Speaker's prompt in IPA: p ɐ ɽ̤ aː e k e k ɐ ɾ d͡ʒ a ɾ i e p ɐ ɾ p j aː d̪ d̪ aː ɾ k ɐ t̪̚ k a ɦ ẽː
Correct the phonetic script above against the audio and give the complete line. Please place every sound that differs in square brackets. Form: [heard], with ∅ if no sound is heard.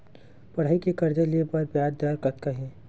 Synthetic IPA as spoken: p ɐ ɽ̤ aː [i] k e k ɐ ɾ d͡ʒ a [l] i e p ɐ ɾ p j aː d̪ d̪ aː ɾ k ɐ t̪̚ k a ɦ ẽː